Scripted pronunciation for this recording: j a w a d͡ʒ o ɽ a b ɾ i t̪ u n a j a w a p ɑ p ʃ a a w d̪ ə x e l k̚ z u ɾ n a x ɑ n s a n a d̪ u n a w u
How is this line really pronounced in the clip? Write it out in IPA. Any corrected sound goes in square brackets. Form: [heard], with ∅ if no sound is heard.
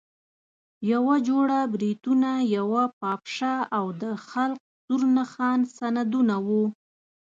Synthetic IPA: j a w a d͡ʒ o ɽ a b ɾ i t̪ u n a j a w a p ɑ p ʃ a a w d̪ ə x [a] l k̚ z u ɾ n a x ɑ n s a n a d̪ u n a w u